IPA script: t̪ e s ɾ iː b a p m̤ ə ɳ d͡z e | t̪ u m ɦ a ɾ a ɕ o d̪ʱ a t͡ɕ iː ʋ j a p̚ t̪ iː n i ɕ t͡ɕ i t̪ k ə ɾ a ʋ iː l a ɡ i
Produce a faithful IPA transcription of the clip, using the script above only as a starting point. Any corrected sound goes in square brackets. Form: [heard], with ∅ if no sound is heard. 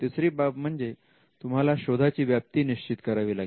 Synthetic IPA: t̪ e s ɾ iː b a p m̤ ə ɳ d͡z e | t̪ u m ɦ a [l] a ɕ o d̪ʱ a t͡ɕ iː ʋ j a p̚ t̪ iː n i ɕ t͡ɕ i t̪ k ə ɾ a ʋ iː l a ɡ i

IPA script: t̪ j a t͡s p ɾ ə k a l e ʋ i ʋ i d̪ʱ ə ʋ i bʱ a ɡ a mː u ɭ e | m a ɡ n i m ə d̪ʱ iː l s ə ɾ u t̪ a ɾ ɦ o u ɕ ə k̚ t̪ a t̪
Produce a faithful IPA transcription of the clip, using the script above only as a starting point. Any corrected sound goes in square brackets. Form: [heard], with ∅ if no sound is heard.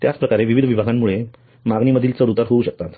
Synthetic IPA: t̪ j a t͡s p ɾ ə k a [ɾ] e ʋ i ʋ i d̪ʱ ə ʋ i bʱ a ɡ a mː u ɭ e | m a ɡ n i m ə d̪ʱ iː l [t͡s] ə ɾ u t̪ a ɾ ɦ o u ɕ ə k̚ t̪ a t̪

